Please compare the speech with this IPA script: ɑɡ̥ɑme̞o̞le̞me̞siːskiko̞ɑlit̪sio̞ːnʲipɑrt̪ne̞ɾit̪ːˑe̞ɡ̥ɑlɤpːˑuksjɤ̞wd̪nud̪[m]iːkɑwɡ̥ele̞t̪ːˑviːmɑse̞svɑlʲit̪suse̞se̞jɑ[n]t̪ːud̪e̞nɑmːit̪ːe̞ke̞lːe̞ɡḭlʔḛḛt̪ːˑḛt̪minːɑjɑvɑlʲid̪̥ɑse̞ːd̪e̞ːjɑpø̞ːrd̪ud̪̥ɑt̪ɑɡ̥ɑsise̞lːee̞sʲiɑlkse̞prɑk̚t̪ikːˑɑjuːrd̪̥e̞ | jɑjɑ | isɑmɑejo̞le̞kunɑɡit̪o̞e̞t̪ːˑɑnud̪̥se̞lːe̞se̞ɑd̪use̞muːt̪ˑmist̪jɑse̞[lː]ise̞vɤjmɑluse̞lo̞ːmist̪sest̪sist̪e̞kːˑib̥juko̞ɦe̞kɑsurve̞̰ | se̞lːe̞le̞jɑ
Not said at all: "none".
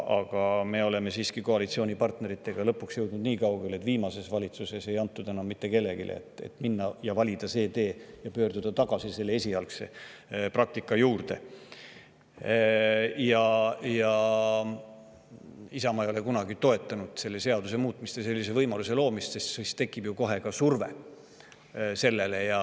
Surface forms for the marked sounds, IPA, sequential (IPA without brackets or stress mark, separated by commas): n, n, lː